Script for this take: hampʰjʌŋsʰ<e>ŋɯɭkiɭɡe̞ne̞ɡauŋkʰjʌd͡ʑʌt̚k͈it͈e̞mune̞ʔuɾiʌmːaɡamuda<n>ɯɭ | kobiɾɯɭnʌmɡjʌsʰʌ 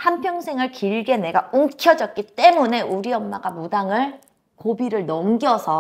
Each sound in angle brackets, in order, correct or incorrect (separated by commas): correct, incorrect